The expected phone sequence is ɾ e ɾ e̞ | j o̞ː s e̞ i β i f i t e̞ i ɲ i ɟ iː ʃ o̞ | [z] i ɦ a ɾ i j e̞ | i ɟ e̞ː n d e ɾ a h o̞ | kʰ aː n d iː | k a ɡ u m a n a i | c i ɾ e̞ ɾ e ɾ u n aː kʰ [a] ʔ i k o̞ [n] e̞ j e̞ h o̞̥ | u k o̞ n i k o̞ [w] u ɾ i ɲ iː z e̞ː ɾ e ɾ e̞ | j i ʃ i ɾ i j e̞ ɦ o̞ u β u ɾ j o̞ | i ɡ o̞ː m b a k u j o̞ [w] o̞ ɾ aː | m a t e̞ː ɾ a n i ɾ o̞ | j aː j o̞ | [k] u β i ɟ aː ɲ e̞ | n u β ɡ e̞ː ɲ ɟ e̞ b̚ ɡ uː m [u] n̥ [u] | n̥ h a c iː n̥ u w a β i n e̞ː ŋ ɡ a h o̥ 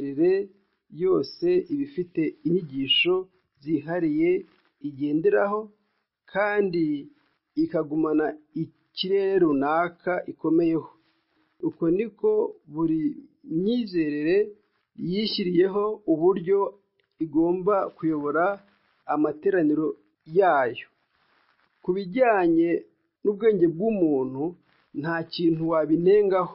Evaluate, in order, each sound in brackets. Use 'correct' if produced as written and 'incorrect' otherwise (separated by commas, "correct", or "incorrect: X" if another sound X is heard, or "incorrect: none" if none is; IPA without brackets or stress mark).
correct, correct, incorrect: m, incorrect: β, incorrect: β, correct, incorrect: uː, correct